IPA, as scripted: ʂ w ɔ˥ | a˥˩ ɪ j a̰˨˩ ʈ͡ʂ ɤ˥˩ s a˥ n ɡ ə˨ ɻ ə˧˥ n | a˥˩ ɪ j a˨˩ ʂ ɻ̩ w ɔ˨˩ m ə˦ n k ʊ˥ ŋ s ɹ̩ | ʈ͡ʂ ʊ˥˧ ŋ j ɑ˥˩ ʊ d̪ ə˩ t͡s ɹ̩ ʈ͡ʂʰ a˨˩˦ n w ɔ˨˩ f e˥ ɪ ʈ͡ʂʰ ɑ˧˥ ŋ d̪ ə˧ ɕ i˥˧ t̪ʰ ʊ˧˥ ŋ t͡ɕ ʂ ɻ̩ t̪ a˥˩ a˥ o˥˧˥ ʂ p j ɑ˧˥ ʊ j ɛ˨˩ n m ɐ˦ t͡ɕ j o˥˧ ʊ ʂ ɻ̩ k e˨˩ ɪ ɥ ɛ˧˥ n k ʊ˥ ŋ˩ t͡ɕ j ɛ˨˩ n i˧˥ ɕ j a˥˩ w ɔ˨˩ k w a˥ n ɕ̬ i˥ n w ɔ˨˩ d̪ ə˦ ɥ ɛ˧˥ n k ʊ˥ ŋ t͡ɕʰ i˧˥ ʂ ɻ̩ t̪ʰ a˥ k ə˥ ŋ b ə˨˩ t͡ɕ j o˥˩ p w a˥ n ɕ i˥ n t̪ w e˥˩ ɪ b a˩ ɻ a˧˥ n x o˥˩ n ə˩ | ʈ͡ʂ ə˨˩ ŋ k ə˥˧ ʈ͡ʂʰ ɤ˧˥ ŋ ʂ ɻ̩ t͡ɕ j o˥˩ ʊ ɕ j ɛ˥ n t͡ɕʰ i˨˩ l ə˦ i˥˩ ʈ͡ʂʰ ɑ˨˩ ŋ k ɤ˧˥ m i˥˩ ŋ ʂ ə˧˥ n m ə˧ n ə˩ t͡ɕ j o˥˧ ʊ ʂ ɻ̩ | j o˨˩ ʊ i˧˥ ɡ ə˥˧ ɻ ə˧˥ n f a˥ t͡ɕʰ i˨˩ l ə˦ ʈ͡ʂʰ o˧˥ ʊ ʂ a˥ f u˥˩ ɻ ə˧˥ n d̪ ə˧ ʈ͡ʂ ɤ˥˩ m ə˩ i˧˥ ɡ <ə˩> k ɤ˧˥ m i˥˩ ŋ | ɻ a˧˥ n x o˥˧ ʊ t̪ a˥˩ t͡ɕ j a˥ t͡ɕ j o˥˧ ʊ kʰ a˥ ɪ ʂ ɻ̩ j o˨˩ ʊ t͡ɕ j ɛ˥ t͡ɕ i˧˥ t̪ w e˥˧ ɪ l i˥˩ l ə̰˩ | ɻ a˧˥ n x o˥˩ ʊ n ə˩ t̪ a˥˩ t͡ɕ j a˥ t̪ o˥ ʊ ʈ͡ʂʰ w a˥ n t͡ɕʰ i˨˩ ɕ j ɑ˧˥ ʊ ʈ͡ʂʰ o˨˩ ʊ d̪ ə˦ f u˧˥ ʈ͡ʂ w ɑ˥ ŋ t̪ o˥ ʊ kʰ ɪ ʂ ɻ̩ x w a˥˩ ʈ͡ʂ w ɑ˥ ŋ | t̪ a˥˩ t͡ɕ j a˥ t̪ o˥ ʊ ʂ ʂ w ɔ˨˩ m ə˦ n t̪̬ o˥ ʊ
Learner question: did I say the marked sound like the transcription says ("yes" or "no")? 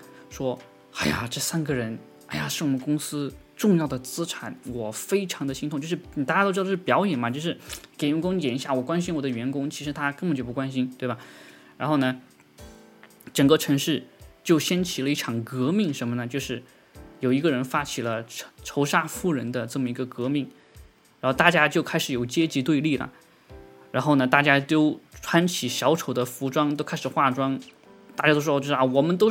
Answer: no